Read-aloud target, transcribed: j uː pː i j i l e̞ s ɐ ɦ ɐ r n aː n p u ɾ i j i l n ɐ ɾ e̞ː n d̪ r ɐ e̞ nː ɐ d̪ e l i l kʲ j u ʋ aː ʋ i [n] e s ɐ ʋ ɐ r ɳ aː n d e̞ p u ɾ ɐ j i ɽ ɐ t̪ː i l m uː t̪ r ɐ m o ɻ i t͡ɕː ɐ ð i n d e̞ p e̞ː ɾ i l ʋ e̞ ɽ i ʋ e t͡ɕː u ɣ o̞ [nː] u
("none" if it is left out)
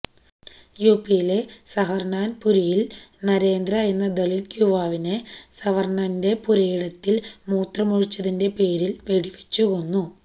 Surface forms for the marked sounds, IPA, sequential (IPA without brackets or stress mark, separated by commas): n, nː